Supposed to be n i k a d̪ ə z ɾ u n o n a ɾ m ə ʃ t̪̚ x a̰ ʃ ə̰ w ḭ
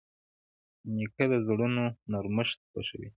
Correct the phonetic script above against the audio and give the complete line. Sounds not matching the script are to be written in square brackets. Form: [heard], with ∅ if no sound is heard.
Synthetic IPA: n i k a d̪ ə z [ɽ] u n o n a ɾ m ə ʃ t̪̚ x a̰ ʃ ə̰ w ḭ

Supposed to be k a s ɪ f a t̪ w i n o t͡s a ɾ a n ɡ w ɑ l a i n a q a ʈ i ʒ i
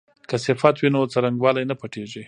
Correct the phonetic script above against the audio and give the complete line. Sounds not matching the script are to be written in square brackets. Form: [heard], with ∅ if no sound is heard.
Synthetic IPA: k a s ɪ f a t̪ w i n o t͡s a ɾ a [ŋ] ɡ w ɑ l a [j] n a [p] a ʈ [e] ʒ i

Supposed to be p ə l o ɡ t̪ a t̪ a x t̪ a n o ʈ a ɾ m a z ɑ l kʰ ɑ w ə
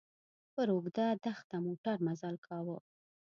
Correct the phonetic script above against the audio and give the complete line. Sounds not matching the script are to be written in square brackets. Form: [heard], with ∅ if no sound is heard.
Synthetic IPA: p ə [ɾ] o ɡ [d̪] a [d̪] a x t̪ a [m] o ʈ a ɾ m a z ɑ l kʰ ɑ w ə

